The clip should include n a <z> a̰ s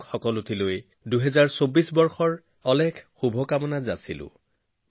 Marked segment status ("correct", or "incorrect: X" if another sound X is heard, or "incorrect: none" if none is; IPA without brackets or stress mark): correct